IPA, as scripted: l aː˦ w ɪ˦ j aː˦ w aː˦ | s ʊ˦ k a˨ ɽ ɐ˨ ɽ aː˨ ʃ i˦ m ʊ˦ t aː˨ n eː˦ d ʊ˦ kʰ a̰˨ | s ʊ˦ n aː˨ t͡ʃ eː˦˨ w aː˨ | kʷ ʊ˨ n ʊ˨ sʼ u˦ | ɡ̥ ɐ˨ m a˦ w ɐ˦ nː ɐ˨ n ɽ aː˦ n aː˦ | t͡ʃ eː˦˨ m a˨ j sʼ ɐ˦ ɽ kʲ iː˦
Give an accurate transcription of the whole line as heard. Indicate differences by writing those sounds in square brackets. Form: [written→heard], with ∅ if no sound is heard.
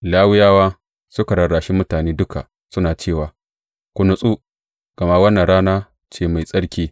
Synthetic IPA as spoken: l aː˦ w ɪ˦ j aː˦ w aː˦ | s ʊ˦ k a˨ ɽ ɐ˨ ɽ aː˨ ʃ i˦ m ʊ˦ t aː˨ n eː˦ d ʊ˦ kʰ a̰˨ | s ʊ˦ n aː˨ t͡ʃ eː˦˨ w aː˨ | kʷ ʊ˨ n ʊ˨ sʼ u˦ | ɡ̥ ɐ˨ m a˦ w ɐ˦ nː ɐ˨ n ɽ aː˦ n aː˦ | t͡ʃ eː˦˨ m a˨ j sʼ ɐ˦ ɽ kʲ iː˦